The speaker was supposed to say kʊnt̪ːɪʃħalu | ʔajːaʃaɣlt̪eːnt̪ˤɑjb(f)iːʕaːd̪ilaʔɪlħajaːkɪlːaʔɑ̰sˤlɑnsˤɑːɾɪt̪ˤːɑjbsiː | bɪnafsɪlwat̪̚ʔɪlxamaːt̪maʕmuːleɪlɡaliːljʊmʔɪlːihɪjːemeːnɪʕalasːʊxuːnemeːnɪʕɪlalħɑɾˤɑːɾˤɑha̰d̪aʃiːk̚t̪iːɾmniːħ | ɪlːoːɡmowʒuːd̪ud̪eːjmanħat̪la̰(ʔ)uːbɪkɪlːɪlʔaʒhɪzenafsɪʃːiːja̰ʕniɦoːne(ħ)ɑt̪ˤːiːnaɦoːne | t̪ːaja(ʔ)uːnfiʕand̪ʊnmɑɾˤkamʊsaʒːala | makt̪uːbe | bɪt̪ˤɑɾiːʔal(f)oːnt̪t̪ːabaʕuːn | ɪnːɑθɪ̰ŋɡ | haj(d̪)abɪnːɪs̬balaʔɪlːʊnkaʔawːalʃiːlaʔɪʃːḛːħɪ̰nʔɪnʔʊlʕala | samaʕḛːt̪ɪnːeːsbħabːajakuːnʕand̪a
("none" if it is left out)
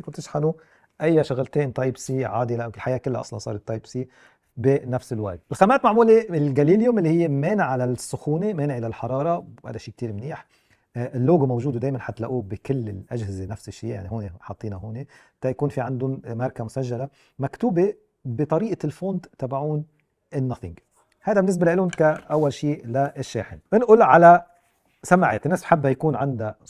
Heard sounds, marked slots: s, ʔ, ħ, k, f, d̪

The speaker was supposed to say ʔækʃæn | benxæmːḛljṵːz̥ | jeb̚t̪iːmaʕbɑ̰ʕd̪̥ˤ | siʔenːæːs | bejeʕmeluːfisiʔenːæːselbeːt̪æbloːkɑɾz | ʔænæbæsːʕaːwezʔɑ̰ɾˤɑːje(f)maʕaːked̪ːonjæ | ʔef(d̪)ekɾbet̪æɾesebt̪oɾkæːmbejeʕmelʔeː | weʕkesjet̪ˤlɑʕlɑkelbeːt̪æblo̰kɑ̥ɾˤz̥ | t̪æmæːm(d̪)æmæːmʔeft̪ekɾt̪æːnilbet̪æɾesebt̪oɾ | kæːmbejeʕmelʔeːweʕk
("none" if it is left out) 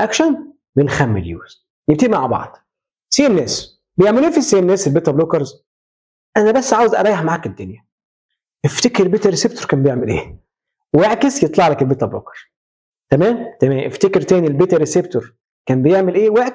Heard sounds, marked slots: ħ, t̪, t̪

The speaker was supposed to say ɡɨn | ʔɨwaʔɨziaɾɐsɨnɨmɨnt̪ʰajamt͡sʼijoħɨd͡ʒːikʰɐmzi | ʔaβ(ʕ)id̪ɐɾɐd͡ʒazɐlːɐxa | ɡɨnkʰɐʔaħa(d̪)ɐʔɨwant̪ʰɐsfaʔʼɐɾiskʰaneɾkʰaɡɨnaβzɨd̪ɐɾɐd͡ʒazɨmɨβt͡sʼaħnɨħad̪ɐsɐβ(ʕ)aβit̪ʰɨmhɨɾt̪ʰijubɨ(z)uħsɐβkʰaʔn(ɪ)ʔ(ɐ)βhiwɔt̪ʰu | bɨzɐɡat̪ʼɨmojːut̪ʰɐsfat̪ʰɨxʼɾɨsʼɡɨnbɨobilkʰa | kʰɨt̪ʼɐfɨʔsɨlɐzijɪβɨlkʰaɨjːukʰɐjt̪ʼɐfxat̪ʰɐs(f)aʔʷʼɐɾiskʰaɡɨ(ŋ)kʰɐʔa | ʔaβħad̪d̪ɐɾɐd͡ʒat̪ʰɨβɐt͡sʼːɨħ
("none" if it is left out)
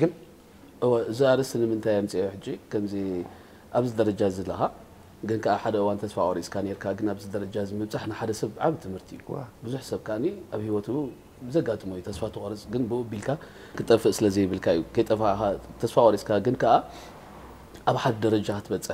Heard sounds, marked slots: z, d̪, ʕ, z, i, a, f, n

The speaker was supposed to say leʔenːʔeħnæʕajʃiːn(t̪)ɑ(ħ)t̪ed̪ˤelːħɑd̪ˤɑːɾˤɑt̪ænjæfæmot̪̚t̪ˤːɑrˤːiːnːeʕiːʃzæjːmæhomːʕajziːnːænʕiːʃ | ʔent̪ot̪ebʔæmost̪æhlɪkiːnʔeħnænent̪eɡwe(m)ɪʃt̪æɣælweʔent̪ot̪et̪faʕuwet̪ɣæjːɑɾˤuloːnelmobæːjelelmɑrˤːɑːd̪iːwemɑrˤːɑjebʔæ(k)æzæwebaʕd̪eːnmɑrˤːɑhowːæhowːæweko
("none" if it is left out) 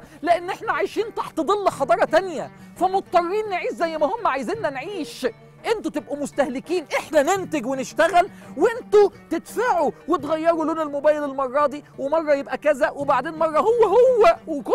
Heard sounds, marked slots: t̪, ħ, n, k

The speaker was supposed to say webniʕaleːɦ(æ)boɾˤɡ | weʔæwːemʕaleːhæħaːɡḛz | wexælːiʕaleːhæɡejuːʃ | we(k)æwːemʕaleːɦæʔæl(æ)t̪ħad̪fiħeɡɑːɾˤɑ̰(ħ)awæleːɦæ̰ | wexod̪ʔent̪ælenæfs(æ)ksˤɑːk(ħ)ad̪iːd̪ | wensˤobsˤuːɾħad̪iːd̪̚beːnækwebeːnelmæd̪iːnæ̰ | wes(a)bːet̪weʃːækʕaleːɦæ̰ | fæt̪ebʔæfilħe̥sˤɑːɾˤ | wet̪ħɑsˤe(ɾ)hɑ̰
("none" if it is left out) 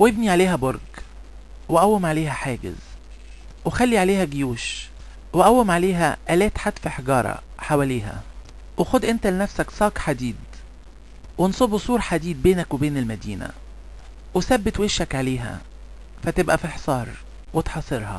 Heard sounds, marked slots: æ, ʔ, æː, ħ, æ, ħ, æ, ɾ

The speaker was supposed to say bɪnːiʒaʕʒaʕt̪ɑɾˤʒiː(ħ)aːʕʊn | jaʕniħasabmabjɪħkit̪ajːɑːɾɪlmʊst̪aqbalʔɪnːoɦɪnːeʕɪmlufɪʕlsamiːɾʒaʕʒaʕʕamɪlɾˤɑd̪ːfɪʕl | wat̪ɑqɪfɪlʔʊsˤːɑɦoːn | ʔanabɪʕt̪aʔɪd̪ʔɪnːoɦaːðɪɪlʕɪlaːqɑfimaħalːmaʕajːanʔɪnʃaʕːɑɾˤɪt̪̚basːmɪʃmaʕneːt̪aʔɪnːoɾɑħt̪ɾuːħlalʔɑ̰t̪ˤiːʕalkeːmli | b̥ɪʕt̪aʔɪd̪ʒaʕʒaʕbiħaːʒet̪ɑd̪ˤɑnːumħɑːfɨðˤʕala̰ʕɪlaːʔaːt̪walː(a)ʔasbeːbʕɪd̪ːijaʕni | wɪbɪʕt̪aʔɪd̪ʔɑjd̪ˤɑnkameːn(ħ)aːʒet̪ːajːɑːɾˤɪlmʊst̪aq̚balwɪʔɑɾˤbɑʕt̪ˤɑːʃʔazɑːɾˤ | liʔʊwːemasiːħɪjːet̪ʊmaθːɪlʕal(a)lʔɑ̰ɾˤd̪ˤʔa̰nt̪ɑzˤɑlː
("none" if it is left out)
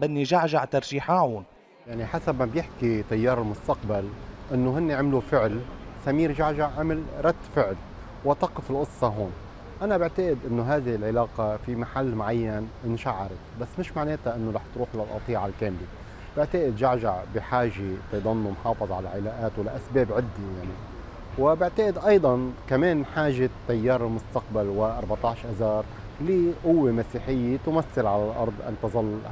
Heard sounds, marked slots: ħ, a, ħ, a

